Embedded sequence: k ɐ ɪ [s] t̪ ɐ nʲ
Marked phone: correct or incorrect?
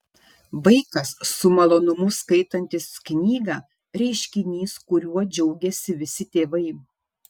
incorrect